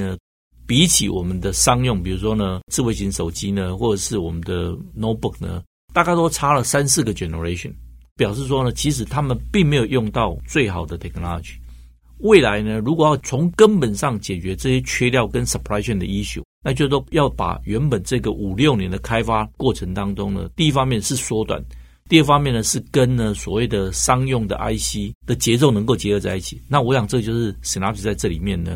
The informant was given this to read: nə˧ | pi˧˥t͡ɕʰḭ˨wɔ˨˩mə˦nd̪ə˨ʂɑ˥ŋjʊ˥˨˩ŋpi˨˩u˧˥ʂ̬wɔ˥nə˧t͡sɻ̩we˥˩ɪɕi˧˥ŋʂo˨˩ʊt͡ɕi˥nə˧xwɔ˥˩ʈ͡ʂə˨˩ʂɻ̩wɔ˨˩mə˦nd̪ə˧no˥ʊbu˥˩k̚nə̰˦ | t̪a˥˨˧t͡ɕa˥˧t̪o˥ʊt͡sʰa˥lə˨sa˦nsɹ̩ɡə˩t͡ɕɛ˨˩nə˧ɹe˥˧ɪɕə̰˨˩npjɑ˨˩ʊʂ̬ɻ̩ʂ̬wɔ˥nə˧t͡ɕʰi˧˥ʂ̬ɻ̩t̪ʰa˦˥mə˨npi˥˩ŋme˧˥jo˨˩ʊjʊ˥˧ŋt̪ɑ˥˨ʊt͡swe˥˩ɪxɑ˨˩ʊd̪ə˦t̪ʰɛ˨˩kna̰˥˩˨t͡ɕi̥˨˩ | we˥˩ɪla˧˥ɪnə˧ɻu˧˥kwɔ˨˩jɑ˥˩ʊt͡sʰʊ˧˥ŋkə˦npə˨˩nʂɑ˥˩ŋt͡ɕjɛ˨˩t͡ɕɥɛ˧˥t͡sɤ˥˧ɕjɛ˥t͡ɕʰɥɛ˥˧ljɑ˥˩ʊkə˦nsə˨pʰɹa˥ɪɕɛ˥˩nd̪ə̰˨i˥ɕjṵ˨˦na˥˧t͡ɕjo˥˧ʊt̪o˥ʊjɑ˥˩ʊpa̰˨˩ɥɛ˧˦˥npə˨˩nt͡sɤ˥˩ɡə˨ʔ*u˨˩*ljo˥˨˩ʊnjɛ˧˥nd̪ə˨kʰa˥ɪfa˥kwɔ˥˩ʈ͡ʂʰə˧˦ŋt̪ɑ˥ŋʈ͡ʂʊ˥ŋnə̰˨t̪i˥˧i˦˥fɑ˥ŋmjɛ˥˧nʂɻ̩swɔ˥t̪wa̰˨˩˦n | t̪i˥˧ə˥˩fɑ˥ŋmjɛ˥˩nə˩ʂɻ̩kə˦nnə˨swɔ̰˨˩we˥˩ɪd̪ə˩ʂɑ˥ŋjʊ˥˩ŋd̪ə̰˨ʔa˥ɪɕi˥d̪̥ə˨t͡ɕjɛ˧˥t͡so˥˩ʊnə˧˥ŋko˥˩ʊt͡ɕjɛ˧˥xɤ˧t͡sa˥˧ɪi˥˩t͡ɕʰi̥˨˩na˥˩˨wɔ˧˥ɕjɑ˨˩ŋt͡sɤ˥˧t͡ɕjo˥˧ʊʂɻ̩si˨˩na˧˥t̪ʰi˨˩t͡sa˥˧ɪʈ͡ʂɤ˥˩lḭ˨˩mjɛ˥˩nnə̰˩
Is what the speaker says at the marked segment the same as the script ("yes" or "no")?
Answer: yes